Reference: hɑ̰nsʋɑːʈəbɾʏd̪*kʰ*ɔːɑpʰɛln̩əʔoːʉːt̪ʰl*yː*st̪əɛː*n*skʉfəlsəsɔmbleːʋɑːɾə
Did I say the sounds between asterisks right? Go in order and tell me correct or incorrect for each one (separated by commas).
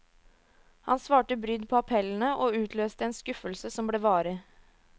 incorrect, incorrect, correct